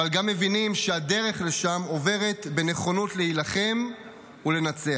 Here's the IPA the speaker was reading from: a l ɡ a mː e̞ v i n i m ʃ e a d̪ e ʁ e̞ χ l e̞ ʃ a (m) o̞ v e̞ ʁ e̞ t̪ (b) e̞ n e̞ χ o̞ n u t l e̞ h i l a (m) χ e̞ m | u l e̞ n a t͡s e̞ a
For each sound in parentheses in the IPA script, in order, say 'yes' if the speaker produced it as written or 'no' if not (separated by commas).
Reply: yes, yes, no